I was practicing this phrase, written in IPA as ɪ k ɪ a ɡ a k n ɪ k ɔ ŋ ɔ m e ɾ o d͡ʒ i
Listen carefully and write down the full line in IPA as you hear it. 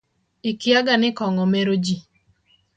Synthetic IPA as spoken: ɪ k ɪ a ɡ a n ɪ k ɔ ŋ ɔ m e ɾ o d͡ʒ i